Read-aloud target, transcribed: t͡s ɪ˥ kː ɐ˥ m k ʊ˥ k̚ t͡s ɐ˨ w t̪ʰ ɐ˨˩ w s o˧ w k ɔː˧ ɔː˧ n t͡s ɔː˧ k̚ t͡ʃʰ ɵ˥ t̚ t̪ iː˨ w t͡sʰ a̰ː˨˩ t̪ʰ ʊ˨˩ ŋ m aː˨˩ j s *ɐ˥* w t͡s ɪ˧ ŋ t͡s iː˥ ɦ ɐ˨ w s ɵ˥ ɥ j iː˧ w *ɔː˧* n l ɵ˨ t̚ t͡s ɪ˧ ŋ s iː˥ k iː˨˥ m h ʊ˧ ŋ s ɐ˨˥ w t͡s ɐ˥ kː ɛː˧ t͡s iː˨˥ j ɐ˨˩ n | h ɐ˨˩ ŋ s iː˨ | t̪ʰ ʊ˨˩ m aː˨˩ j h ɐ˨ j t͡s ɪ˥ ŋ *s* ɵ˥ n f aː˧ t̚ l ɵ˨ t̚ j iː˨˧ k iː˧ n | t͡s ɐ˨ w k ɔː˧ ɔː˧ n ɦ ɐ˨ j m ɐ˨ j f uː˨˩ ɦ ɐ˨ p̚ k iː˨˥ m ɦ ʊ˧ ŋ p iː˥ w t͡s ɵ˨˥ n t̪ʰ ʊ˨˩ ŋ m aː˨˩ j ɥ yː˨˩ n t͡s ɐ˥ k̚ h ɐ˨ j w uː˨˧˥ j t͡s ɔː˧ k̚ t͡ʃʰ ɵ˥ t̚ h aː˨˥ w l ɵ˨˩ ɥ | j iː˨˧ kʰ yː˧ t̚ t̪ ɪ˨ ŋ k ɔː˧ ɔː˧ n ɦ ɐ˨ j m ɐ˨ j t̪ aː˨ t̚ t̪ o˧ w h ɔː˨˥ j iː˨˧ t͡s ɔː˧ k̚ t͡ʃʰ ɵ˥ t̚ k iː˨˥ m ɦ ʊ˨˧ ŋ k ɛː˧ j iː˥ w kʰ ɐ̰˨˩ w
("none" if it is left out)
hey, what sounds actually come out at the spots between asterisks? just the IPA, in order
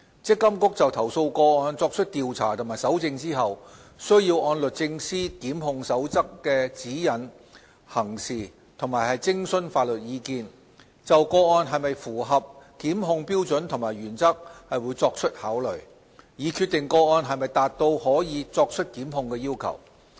ɐ˨˥, ɔː˧, s

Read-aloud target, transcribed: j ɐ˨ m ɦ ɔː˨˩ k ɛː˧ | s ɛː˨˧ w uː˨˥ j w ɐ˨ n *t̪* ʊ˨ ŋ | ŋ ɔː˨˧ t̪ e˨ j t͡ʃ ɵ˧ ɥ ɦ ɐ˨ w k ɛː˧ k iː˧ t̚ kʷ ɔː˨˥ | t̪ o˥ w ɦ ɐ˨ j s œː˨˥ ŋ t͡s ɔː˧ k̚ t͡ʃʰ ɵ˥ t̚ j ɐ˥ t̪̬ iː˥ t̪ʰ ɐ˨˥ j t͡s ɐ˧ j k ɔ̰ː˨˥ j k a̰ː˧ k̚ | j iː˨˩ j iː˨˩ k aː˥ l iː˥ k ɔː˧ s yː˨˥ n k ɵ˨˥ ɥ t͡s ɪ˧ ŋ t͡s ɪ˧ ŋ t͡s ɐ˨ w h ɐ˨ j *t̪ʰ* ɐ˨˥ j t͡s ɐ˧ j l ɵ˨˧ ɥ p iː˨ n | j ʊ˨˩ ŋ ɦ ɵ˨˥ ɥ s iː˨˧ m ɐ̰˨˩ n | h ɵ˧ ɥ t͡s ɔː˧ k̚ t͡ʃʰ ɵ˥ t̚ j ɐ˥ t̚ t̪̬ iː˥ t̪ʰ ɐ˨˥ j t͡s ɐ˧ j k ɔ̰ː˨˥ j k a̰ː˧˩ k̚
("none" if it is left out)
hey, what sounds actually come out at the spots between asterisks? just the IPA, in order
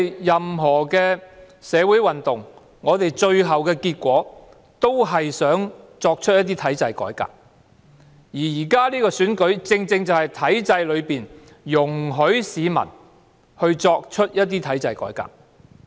t̪, t̪ʰ

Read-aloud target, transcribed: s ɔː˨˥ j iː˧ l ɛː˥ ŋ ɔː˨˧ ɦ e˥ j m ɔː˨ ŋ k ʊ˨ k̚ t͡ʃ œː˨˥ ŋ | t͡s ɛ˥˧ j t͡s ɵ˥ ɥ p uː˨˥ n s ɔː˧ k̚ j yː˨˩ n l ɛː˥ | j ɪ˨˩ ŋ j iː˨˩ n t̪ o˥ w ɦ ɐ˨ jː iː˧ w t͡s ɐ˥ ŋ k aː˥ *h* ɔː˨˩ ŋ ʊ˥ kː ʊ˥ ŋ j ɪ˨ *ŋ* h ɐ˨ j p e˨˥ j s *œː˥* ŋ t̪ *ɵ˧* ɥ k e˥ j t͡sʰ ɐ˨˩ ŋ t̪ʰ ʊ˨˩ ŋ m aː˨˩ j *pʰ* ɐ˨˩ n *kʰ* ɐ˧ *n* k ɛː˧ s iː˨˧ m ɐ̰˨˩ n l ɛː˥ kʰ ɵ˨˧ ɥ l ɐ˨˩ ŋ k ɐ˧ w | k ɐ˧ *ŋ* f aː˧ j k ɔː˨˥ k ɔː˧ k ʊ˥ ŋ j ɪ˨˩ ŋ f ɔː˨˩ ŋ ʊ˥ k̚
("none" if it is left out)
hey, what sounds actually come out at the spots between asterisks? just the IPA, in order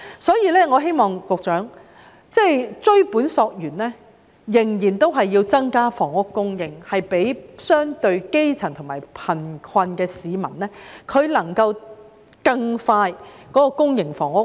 f, ŋ, œː˥, ɵ˧, pʰ, kʰ, n, ŋ

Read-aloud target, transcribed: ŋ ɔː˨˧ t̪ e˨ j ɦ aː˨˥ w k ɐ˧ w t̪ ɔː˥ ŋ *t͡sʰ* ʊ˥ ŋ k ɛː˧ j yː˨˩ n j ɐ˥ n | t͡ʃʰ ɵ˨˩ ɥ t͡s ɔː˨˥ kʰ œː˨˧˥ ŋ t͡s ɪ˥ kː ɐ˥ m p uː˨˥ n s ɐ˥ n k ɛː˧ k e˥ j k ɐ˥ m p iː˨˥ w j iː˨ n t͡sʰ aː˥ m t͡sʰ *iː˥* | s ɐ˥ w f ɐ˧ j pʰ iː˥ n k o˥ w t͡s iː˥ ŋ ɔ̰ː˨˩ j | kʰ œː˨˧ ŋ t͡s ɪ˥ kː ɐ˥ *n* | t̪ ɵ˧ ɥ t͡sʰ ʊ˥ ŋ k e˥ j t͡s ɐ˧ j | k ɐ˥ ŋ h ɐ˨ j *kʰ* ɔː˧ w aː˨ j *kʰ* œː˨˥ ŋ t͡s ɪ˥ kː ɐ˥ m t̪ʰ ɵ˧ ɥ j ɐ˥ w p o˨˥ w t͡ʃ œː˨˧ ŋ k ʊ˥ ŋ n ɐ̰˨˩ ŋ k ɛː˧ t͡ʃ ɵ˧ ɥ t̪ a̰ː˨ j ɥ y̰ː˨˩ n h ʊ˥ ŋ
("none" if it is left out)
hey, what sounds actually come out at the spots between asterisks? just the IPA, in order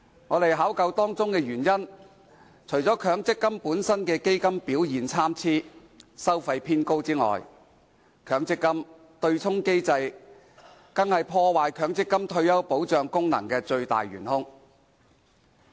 t͡s, iː˥, m, pʰ, kʰ

